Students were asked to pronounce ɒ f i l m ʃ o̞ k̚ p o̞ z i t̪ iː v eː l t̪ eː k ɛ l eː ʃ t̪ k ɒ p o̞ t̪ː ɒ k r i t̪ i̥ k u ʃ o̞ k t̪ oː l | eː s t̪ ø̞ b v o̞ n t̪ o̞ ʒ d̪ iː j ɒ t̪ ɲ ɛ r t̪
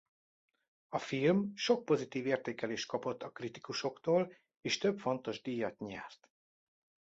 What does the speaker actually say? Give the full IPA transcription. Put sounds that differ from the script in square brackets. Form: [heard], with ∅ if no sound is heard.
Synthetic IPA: ɒ f i l m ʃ o̞ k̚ p o̞ z i t̪ iː v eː [r] t̪ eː k ɛ l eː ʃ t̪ k ɒ p o̞ t̪ː ɒ k r i t̪ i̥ k u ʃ o̞ k t̪ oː l | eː [ʃ] t̪ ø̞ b [f] o̞ n t̪ o̞ ʒ d̪ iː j ɒ t̪ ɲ ɛ r t̪

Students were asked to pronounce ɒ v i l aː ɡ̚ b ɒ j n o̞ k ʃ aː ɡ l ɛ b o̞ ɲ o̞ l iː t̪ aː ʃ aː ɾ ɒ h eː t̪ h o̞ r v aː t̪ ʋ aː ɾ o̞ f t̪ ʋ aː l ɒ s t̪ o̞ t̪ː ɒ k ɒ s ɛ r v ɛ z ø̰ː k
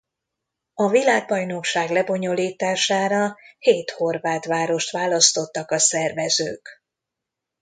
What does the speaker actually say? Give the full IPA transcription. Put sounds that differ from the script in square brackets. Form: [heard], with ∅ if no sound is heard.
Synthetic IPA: ɒ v i l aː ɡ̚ b ɒ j n o̞ k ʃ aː ɡ l ɛ b o̞ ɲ o̞ l iː t̪ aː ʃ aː ɾ ɒ h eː t̪ h o̞ r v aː t̪ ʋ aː ɾ o̞ [ʃ] t̪ ʋ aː l ɒ s t̪ o̞ t̪ː ɒ k ɒ s ɛ r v ɛ z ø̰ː k

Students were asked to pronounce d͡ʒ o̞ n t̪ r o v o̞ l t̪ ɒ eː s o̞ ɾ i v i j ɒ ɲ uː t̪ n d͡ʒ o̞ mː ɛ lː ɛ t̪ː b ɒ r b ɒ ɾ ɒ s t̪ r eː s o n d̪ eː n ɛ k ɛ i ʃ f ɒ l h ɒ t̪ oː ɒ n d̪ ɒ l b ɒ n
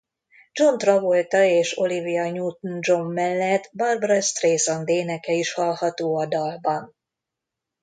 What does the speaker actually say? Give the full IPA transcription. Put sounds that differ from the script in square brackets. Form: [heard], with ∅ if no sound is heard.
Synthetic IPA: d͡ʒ o̞ n t̪ r [ɒ] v o̞ l t̪ ɒ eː [ʃ] o̞ [l] i v i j ɒ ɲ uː t̪ n d͡ʒ o̞ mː ɛ lː ɛ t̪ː b ɒ r b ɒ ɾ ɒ s t̪ r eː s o n d̪ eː n ɛ k ɛ i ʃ [h] ɒ l h ɒ t̪ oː ɒ [∅] d̪ ɒ l b ɒ n

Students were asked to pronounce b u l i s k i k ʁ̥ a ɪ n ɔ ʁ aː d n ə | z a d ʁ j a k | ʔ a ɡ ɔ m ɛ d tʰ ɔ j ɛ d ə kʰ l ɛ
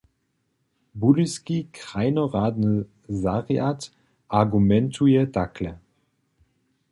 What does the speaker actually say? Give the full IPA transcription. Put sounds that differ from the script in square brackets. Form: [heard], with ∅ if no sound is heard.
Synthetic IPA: b u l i s k i k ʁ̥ a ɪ n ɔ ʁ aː d n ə | z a [∅] ʁ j a [t] | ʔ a ɡ [u] m ɛ [n] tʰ [u] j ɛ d [a] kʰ l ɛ

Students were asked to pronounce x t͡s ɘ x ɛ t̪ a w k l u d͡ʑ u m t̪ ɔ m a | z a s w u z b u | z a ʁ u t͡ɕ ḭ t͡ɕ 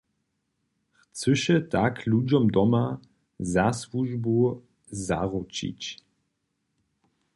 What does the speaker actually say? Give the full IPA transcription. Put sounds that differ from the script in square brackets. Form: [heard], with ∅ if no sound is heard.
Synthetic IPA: x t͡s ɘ [ʃ] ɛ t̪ a [∅] k l u d͡ʑ [ɔ] m [d̪] ɔ m a | z a s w u [ʒ] b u | z a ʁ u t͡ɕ ḭ t͡ɕ

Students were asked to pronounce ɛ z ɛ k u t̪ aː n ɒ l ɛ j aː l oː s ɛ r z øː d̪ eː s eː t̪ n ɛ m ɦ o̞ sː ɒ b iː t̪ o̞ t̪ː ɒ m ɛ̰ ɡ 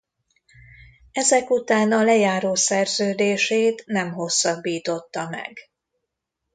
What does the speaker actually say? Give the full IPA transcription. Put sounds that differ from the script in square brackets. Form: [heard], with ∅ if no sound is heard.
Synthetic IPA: ɛ z ɛ k u t̪ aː n ɒ l ɛ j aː [ɾ] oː s ɛ r z øː d̪ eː [ʃ] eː t̪ n ɛ m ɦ o̞ sː ɒ [bː] iː t̪ o̞ t̪ː ɒ m ɛ̰ ɡ

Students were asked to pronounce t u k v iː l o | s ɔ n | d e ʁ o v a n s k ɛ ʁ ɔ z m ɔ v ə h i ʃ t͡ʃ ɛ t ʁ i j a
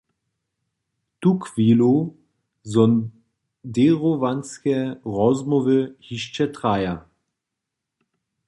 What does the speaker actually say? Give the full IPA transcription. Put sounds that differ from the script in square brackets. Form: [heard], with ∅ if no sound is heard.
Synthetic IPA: t u k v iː l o | [z] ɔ n | d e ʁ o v a n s k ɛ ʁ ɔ z m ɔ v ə h i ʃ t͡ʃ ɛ t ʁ [a] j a

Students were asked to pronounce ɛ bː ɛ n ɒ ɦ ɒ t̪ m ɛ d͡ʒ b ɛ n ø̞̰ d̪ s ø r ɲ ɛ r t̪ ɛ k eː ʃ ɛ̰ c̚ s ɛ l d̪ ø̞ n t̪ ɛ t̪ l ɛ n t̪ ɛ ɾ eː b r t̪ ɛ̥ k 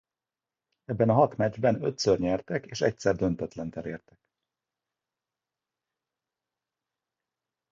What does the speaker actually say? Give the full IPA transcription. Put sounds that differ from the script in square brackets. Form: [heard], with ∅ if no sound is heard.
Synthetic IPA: ɛ bː ɛ n ɒ ɦ ɒ t̪ m ɛ d͡ʒ b ɛ n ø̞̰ [t̪] s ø r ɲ ɛ r t̪ ɛ k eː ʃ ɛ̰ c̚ s ɛ [r] d̪ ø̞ n t̪ ɛ t̪ l ɛ n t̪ ɛ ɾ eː [∅] r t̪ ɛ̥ k

